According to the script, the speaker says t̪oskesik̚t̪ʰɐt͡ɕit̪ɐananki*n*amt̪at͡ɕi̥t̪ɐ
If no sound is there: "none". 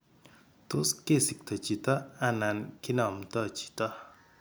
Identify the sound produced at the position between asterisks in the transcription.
n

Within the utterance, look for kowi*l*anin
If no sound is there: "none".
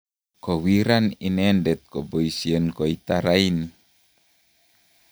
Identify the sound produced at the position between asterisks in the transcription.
ɾ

